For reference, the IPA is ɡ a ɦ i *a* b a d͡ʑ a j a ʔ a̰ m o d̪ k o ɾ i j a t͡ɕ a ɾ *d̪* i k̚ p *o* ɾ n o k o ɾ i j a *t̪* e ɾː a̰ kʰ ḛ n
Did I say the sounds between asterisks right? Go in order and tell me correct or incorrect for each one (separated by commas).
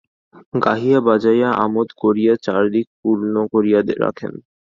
correct, correct, incorrect, incorrect